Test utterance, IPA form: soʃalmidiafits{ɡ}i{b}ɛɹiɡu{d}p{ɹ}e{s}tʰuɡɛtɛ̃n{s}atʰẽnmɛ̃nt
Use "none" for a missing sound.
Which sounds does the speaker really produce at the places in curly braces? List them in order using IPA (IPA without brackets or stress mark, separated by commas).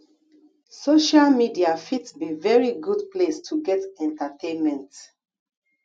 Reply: b, v, d, l, s, t